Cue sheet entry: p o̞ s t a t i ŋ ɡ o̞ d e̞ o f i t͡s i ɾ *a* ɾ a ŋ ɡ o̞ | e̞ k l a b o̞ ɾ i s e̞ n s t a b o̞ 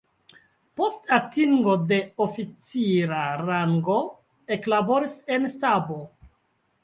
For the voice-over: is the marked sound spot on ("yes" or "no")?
yes